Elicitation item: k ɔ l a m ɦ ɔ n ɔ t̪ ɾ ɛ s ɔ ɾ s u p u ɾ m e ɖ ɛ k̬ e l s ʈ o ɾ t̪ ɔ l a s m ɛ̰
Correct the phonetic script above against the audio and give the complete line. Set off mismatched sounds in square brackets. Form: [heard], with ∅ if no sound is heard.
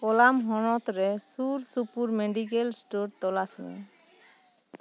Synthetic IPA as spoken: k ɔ l a m ɦ ɔ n ɔ t̪ ɾ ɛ s [u] ɾ s u p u ɾ m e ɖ [i] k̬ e l s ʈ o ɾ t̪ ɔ l a s m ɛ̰